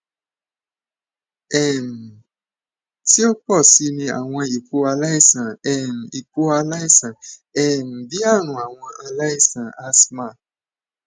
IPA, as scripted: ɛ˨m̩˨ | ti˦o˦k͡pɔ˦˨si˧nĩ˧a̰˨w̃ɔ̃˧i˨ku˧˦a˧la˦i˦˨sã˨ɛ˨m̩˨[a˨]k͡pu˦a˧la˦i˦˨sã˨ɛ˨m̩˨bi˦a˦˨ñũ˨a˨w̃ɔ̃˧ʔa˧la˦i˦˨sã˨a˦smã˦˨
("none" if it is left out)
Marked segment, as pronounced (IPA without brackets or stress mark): i˨